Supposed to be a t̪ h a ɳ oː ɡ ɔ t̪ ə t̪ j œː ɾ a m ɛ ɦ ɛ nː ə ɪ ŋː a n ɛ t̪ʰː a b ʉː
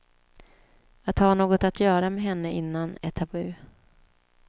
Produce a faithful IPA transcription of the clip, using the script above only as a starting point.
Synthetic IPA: a t̪ h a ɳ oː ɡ ɔ t̪ a t̪ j œː ɾ a m ɛ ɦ ɛ nː ə ɪ nː a n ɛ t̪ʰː a b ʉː